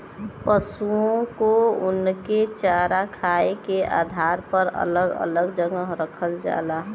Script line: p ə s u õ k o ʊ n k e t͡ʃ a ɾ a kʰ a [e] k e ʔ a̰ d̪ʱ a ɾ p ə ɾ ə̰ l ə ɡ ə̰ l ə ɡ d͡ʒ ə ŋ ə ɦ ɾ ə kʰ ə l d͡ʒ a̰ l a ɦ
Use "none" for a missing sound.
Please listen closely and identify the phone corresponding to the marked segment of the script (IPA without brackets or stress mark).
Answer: e